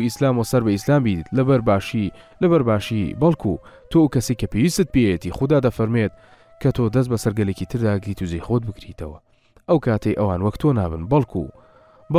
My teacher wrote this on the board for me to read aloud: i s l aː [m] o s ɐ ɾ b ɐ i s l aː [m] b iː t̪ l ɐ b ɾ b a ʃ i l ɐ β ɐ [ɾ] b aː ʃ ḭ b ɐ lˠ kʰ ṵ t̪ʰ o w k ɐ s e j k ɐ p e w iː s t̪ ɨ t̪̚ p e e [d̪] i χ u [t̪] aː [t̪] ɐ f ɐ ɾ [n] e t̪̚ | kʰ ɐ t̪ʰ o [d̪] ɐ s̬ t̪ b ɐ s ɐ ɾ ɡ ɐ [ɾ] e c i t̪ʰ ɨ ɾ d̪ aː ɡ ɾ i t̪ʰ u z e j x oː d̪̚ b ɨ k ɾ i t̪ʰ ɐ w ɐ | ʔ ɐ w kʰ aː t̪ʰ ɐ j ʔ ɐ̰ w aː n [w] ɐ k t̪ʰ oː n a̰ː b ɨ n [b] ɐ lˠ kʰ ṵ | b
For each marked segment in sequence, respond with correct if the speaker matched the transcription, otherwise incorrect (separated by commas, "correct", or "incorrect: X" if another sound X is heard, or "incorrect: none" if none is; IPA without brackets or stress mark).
correct, correct, correct, incorrect: t̪, incorrect: d̪, incorrect: d̪, incorrect: m, correct, incorrect: l, correct, correct